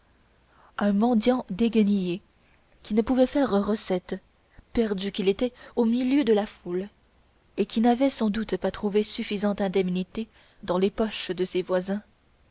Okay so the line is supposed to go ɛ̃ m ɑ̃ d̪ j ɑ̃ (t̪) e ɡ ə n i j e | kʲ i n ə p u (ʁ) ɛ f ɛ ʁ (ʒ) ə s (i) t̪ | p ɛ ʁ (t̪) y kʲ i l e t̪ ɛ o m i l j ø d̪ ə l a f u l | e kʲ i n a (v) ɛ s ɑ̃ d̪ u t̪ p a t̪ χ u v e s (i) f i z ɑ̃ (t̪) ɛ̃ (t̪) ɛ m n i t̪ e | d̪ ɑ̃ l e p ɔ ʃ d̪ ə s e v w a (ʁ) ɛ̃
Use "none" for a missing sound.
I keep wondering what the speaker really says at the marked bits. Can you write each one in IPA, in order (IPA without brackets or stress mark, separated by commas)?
d̪, v, ʁ, ɛ, d̪, v, y, t̪, d̪, z